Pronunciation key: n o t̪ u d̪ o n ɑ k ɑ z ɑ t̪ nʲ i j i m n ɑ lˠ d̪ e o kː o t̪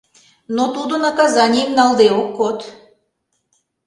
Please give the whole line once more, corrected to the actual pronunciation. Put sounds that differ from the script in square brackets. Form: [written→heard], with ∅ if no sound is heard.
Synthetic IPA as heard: n o t̪ u d̪ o n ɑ k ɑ z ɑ [t̪→∅] nʲ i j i m n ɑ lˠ d̪ e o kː o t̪